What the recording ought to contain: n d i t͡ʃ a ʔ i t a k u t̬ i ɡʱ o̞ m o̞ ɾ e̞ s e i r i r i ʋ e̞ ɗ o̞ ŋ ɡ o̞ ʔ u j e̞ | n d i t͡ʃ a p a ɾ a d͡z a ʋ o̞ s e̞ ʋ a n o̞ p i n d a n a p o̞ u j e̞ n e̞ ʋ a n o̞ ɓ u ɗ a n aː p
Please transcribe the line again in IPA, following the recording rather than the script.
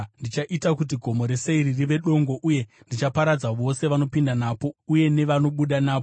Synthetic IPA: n d i t͡ʃ a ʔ i t a k u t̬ i ɡʱ o̞ m o̞ ɾ e̞ s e i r i r i ʋ e̞ ɗ o̞ ŋ ɡ o̞ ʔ u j e̞ | n d i t͡ʃ a p a ɾ a d͡z a ʋ o̞ s e̞ ʋ a n o̞ p i n d a n a p o̞ u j e̞ n e̞ ʋ a n o̞ ɓ u ɗ a n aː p